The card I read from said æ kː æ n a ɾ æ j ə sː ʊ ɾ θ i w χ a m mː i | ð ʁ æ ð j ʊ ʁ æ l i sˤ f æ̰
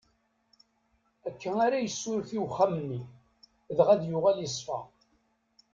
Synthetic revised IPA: æ kː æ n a ɾ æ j ə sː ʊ ɾ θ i w χ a m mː i | ð ʁ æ ð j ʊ ʁ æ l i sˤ f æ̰